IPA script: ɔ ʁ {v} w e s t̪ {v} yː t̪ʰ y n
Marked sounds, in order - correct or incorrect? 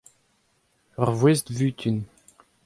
correct, correct

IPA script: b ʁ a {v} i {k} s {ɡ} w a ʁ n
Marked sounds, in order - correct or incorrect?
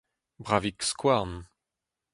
correct, correct, incorrect

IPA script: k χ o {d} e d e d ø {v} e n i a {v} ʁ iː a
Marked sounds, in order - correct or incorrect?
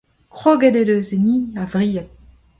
incorrect, incorrect, correct

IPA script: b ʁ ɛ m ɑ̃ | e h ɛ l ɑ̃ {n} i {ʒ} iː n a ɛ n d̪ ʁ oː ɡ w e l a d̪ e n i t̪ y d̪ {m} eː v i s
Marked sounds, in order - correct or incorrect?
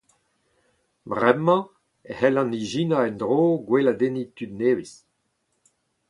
correct, correct, incorrect

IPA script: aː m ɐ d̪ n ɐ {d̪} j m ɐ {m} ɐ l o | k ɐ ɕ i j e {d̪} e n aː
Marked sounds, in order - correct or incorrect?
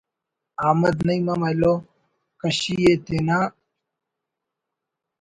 incorrect, correct, incorrect

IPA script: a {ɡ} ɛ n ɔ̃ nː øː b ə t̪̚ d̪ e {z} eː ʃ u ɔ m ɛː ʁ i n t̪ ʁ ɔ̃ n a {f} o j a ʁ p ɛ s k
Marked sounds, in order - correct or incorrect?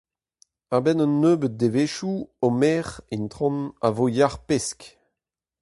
incorrect, incorrect, incorrect

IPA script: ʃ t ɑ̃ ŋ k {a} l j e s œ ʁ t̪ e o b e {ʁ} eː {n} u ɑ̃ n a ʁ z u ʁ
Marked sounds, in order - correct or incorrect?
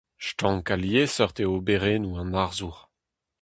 correct, correct, correct

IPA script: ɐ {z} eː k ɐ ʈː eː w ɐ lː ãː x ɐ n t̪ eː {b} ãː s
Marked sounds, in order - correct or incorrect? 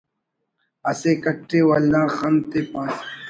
incorrect, incorrect

